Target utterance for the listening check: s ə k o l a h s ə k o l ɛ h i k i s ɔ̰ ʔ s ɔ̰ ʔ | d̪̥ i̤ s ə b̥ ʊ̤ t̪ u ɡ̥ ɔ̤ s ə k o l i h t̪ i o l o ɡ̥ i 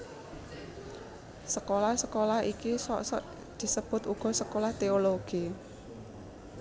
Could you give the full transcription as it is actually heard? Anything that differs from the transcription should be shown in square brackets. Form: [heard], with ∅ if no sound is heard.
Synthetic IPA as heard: s ə k o l a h s ə k o l [a] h i k i s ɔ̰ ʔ s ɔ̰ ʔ | d̪̥ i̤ s ə b̥ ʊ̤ t̪ u ɡ̥ ɔ̤ s ə k o l [a] h t̪ [e] o l o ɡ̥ i